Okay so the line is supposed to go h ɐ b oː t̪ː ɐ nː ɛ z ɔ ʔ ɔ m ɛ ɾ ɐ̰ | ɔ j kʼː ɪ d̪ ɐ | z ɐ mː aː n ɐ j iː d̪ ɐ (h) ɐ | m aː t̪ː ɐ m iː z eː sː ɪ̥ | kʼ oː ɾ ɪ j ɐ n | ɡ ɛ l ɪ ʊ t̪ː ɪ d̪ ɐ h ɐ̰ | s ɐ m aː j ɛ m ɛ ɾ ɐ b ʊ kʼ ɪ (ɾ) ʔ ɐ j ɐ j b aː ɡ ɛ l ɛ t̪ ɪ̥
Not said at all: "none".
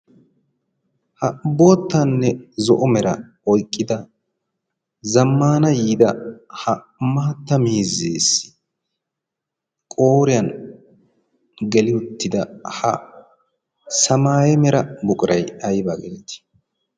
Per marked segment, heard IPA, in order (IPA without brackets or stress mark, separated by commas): h, ɾ